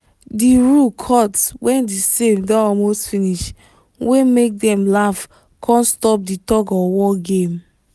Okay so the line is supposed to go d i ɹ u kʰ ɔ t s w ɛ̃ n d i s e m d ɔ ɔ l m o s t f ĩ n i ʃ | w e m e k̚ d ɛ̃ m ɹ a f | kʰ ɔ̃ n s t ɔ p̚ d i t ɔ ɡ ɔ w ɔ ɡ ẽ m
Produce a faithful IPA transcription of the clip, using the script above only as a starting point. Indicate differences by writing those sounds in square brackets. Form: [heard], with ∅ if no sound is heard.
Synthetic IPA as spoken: d i ɹ u kʰ ɔ t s w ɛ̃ n d i s e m d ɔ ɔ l m o s t f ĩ n i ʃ | w e m e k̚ d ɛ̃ m [l] a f | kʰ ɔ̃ n s t ɔ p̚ d i t ɔ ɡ ɔ w ɔ ɡ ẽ m